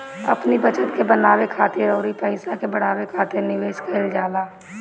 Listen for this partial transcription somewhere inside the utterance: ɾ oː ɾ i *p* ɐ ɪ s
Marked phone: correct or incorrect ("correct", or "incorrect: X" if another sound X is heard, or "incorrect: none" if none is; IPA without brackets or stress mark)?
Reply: correct